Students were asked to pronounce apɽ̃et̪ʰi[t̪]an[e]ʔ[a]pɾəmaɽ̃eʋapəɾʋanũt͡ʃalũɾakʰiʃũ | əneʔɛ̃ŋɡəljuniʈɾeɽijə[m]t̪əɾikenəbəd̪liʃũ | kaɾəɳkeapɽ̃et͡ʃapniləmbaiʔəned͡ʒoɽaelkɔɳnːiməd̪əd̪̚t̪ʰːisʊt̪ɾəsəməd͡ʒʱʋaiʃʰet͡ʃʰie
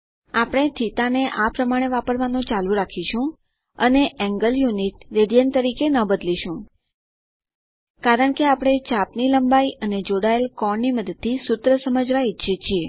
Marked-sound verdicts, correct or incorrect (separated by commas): correct, correct, correct, incorrect